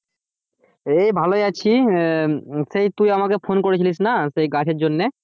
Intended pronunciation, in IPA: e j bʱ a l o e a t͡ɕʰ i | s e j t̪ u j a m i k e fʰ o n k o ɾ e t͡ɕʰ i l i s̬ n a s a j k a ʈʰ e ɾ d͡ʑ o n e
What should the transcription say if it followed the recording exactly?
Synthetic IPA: e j bʱ a l o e a t͡ɕʰ i | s e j t̪ u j a m a k e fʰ o n k o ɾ e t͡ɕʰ i l i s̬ n a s e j ɡ a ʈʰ e ɾ d͡ʑ o nː e